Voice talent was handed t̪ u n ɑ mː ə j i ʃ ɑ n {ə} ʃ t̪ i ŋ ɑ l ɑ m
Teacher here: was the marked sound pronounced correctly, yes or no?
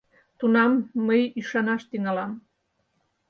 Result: no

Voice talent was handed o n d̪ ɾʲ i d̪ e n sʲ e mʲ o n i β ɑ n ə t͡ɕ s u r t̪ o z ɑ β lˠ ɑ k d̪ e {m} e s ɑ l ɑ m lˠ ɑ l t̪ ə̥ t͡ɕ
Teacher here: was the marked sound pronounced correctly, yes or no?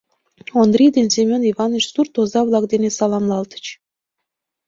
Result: no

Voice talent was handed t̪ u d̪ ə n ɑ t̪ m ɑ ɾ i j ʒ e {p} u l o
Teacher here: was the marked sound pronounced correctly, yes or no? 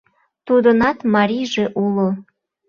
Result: no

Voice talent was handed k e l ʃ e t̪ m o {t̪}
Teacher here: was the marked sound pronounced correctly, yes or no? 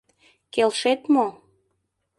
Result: no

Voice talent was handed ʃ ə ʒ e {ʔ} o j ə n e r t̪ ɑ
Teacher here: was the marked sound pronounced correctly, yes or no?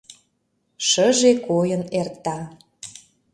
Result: no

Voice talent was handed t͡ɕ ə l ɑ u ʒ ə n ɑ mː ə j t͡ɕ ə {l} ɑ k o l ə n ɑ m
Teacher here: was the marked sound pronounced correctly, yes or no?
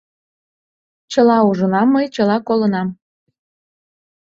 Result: yes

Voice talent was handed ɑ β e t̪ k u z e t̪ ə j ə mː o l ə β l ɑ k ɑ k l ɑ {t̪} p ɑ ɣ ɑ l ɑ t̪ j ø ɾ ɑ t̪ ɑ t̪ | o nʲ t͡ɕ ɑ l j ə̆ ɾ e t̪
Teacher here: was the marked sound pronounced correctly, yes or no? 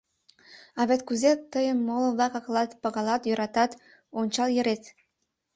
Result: yes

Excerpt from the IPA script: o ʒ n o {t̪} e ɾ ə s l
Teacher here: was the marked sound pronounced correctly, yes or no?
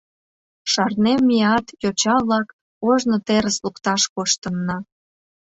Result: yes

